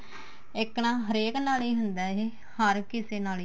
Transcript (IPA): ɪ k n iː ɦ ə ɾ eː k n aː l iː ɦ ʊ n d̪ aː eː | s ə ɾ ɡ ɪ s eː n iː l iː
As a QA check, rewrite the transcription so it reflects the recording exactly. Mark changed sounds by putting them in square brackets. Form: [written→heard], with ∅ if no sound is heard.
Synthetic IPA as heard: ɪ k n [iː→aː] ɦ ə ɾ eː k n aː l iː ɦ ʊ n d̪ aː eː | [s→h] ə ɾ [ɡ→k] ɪ s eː n [iː→aː] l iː